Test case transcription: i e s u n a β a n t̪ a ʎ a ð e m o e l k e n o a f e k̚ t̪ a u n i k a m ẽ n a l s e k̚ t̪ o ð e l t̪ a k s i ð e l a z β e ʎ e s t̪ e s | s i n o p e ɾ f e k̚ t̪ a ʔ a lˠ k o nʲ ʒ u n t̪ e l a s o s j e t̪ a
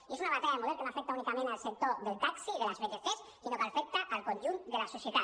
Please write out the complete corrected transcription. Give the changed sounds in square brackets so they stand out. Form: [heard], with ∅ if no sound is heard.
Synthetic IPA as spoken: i e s u n a β a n t̪ a ʎ a ð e m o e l k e n o a f e k̚ t̪ a u n i k a m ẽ n a l s e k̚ t̪ o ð e l t̪ a k s i ð e l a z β e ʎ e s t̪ e s | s i n o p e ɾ f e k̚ t̪ a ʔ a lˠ k o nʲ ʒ u n [d̪] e l a s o s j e t̪ a